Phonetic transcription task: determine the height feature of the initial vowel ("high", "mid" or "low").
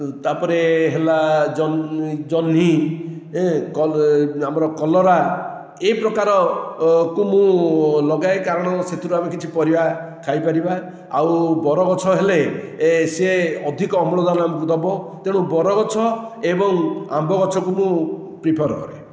low